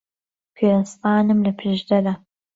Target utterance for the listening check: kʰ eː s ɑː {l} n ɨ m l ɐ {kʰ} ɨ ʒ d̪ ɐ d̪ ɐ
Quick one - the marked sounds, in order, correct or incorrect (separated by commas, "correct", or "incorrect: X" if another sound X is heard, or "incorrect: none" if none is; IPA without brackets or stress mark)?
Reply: incorrect: none, incorrect: pʰ